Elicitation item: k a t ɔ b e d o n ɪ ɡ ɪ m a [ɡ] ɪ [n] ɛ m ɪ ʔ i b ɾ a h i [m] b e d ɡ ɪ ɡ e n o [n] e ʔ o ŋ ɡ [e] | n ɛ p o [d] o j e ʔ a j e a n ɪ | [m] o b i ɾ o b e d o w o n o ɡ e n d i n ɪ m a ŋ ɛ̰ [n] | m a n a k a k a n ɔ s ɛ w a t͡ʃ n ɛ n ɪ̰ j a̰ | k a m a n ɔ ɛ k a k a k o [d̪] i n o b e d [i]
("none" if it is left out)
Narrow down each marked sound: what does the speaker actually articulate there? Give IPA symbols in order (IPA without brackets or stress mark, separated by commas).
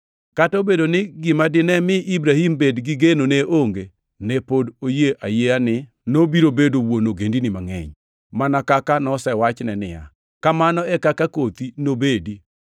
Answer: d, n, m, n, e, d, n, ɲ, t̪, i